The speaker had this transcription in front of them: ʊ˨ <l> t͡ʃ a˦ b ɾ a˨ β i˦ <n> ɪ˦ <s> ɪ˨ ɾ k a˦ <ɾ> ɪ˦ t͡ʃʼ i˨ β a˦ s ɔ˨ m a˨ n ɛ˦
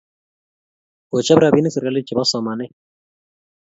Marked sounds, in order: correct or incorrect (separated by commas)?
incorrect, correct, correct, incorrect